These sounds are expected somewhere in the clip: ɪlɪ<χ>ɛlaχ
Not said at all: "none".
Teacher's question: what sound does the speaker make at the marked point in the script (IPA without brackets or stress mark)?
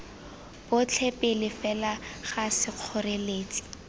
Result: f